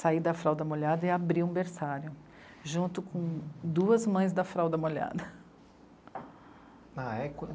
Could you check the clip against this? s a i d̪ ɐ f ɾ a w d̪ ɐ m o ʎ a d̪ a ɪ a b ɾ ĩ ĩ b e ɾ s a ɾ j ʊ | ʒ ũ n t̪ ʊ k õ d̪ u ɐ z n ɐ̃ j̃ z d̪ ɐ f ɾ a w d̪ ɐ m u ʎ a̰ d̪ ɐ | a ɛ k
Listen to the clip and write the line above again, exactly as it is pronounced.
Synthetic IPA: s a i d̪ ɐ f ɾ a w d̪ ɐ m o ʎ a d̪ ɐ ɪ a b ɾ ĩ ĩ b e ɾ s a ɾ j ʊ | ʒ ũ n t̪ ʊ k õ d̪ u ɐ z m ɐ̃ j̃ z d̪ ɐ f ɾ a w d̪ ɐ m o ʎ a̰ d̪ ɐ | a ɛ k